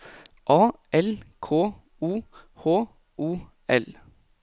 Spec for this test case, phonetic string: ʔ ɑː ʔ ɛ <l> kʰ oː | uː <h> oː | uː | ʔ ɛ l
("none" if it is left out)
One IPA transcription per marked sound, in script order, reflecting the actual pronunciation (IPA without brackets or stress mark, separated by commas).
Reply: l, h